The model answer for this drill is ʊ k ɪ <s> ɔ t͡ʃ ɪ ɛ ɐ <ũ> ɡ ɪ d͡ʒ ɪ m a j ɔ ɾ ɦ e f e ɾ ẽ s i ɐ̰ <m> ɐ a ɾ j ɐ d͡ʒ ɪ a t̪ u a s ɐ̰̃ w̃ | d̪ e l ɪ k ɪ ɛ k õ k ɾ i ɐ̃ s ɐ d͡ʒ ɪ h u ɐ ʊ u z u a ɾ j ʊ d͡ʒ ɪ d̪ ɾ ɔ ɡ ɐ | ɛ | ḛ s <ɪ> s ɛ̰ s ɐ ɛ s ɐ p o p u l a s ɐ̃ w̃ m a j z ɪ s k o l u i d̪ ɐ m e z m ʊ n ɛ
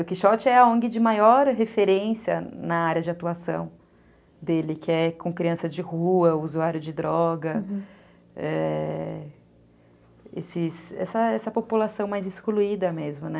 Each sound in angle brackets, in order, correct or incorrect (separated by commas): incorrect, incorrect, incorrect, correct